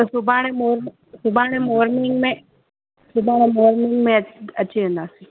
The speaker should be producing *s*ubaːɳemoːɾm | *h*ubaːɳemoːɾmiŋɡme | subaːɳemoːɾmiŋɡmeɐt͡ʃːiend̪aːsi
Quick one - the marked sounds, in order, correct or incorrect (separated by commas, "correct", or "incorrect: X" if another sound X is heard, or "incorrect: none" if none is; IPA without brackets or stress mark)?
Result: correct, incorrect: s